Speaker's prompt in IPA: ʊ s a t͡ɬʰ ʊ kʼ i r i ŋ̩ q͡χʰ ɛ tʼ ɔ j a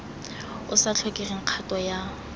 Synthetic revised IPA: ʊ s a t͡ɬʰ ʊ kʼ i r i ŋ̩ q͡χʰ a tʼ ɔ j a